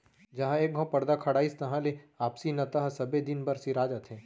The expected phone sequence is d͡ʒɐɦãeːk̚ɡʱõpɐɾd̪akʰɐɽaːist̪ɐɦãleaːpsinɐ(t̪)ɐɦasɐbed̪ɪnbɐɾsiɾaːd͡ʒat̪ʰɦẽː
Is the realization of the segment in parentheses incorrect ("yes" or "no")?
no